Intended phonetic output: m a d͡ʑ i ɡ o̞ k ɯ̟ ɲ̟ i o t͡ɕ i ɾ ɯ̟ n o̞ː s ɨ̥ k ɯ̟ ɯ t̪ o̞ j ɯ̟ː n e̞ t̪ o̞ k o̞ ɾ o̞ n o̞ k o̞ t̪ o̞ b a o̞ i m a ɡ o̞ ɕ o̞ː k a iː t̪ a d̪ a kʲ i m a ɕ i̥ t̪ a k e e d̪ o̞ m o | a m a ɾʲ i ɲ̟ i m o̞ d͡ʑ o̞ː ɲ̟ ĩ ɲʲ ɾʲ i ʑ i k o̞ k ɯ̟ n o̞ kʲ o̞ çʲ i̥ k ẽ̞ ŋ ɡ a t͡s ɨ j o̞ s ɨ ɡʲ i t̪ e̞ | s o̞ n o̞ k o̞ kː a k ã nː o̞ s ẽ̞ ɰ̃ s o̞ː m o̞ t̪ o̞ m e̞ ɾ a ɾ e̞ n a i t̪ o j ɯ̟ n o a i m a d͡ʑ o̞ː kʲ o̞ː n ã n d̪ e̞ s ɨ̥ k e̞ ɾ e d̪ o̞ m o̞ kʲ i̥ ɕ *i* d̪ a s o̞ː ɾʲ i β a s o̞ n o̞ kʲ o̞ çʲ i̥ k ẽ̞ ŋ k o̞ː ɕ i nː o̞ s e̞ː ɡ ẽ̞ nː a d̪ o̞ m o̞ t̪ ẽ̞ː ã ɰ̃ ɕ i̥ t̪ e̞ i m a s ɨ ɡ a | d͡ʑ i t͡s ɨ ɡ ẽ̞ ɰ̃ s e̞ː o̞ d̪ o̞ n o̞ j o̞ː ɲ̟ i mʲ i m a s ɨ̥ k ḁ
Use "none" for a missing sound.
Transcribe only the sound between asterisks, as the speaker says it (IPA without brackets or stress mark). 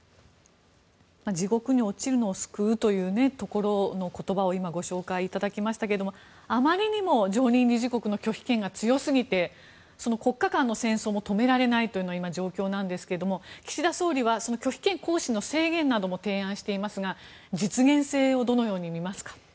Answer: i